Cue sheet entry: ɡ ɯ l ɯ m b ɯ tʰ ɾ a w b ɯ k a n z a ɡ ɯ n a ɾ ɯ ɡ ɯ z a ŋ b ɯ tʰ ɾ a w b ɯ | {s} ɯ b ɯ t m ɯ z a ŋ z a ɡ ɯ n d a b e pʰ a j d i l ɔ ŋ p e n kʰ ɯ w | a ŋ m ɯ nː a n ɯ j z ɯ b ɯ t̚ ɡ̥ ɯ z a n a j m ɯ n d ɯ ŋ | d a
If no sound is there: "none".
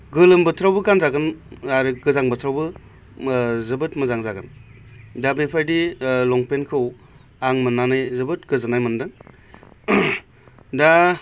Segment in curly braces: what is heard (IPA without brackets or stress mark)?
z